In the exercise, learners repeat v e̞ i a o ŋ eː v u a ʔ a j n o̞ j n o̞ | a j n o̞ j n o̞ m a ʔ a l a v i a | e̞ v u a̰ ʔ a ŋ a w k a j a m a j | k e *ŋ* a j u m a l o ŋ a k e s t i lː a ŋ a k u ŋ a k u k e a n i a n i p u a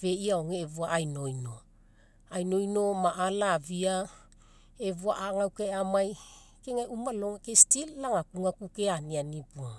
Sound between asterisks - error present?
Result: no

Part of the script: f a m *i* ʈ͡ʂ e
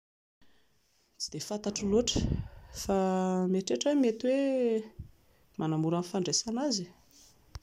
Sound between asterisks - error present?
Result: yes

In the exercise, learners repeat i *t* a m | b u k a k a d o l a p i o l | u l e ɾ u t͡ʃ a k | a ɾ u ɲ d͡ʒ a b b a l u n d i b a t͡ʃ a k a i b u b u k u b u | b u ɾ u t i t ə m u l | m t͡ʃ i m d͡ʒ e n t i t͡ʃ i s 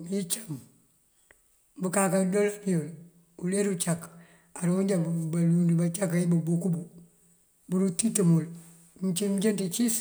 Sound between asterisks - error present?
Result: yes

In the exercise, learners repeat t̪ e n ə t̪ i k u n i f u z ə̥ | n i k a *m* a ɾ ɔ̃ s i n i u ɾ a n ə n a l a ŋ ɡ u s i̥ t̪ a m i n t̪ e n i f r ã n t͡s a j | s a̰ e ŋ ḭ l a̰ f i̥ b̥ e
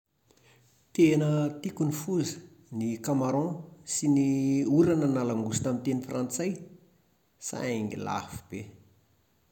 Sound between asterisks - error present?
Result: no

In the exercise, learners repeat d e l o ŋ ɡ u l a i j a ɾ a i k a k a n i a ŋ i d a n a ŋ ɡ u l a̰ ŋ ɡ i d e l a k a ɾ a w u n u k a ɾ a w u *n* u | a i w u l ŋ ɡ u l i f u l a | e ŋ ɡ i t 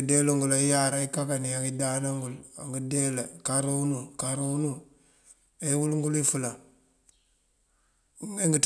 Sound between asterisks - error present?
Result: no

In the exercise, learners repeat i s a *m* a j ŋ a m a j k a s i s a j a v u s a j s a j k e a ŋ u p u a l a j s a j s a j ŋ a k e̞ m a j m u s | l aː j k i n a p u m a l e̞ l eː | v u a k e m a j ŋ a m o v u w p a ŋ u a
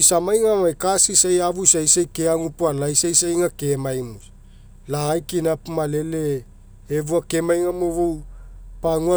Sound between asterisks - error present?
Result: no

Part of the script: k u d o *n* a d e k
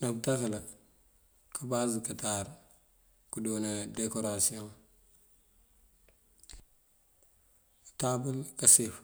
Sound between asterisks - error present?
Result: no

